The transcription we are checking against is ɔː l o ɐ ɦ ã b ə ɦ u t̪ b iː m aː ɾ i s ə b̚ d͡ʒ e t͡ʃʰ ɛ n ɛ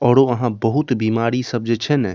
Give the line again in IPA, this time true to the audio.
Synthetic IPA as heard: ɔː ɾ o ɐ ɦ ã b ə ɦ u t̪ b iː m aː ɾ i s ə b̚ d͡ʒ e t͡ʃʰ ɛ n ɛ

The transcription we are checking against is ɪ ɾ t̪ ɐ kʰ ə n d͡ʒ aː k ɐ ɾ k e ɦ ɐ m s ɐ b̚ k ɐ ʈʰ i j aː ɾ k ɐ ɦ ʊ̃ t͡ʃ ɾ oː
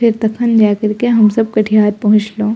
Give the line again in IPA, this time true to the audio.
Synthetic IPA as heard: ɪ ɾ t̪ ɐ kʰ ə n d͡ʒ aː k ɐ ɾ k e ɦ ɐ m s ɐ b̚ k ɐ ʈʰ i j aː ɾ p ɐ ɦ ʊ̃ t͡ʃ l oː

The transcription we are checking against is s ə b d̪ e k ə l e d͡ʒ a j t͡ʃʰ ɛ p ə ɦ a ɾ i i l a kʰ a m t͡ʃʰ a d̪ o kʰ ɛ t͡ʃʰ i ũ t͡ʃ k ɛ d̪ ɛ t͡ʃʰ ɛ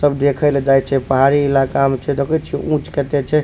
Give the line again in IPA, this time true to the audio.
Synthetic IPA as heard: s ə b d̪ e kʰ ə l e d͡ʒ a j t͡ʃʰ ɛ p ə ɦ a ɾ i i l a k a m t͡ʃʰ ɛ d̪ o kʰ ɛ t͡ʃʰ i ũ t͡ʃ k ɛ t̪ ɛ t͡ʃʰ ɛ

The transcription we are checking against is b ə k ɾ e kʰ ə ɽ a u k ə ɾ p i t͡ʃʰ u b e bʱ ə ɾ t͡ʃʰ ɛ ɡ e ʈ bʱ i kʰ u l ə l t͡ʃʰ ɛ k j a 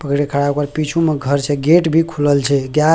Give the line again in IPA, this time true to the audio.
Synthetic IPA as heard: p ə k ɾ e kʰ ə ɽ a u k ə ɾ p i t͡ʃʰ u m e ɡʱ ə ɾ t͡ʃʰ ɛ ɡ e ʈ bʱ i kʰ u l ə l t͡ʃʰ ɛ ɡ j a

